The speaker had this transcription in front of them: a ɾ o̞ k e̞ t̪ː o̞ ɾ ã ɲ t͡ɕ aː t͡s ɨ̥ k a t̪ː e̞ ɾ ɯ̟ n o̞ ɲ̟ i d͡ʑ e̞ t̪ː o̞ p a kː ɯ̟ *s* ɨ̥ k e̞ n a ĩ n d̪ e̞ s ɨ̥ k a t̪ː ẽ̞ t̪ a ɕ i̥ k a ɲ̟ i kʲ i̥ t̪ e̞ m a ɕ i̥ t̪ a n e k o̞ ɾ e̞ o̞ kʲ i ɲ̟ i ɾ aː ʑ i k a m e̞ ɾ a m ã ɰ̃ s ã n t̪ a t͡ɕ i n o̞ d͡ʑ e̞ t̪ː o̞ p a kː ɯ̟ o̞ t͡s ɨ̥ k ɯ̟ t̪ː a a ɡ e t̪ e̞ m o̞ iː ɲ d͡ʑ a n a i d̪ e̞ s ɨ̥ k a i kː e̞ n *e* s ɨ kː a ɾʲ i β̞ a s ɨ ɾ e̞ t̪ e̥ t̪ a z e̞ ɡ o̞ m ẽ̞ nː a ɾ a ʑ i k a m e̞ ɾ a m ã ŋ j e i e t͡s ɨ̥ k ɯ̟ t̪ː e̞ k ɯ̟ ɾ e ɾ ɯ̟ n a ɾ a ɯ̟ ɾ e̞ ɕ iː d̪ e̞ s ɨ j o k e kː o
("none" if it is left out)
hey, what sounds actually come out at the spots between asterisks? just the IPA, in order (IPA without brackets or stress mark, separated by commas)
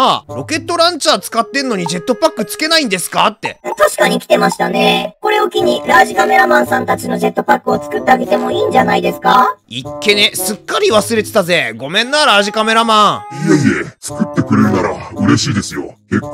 t͡s, e